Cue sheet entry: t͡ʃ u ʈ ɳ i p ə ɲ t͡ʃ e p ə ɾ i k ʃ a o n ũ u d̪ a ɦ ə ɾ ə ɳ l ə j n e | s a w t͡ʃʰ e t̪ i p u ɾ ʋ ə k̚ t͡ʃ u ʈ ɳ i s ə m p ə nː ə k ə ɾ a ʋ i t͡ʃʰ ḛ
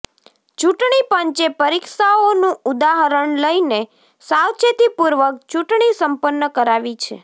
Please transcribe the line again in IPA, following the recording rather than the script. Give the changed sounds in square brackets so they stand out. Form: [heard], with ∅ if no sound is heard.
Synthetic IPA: t͡ʃ u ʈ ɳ i p ə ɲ t͡ʃ e p ə ɾ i k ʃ a o n ũ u d̪ a ɦ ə ɾ ə ɳ l ə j n e | s a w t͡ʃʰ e t̪ i p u ɾ ʋ ə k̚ t͡ʃ u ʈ ɳ i s ə m p ə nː ə k ə ɾ a ʋ i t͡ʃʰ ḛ